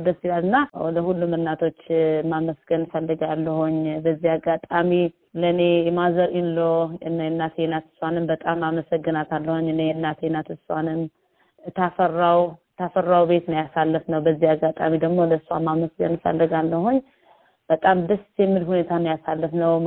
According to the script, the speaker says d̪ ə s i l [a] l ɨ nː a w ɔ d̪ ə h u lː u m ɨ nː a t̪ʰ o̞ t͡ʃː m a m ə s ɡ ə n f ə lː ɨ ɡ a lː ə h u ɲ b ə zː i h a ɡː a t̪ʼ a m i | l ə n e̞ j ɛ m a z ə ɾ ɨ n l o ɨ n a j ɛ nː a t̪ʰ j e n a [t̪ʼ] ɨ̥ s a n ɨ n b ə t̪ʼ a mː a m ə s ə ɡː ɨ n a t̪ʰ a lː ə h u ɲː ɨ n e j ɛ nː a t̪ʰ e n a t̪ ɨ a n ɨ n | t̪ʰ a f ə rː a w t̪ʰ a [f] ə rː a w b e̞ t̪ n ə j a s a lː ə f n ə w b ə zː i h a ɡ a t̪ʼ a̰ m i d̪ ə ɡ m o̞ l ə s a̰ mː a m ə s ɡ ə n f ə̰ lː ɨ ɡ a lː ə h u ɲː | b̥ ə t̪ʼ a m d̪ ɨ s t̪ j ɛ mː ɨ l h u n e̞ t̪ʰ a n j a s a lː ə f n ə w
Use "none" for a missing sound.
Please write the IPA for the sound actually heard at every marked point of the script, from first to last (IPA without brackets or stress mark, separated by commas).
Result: a, t̪, f